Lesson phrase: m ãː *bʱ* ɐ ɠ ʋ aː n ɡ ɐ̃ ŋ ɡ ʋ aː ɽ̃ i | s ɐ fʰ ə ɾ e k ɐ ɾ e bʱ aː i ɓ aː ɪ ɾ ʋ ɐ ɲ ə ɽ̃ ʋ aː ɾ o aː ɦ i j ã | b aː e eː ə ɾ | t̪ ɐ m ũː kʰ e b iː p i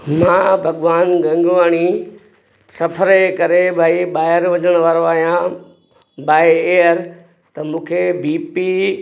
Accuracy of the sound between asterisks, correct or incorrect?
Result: correct